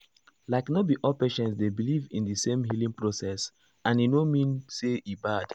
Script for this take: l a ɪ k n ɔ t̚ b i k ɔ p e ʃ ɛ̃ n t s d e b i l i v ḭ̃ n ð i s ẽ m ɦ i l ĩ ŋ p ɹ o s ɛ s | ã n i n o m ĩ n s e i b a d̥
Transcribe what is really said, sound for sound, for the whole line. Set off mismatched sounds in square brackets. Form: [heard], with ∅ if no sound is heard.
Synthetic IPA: l a ɪ k n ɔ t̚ b i [ʔ] ɔ p e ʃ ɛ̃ n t s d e b i l i v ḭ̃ n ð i s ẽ m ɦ i l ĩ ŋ p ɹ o s ɛ s | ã n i n o m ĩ n s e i b a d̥